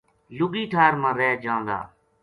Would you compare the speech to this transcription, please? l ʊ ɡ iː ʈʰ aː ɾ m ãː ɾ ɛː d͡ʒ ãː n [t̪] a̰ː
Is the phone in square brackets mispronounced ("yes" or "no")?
yes